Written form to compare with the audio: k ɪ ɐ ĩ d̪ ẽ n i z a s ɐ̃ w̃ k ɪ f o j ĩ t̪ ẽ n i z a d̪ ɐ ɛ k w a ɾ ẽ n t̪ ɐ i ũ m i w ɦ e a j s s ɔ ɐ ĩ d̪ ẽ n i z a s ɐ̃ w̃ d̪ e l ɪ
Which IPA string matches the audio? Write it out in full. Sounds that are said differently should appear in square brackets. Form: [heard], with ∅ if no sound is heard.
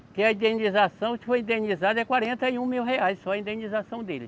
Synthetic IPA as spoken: k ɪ ɐ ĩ d̪ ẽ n i z a s ɐ̃ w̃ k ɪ f o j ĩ [d̪] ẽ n i z a d̪ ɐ ɛ k w a ɾ ẽ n t̪ ɐ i ũ m i w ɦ e a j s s ɔ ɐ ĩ d̪ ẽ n i z a s ɐ̃ w̃ d̪ e l ɪ